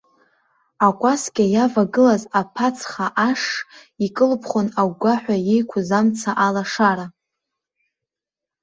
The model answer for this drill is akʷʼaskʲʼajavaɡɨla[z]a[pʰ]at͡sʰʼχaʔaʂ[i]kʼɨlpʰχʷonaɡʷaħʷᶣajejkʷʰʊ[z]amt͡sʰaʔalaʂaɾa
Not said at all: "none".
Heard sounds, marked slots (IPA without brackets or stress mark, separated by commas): z, pʰ, i, z